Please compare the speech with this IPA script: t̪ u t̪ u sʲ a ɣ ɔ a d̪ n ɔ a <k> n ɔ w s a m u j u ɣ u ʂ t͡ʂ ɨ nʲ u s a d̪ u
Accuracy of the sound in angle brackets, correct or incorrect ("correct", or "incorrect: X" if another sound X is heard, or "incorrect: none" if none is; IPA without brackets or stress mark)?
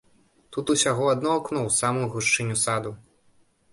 correct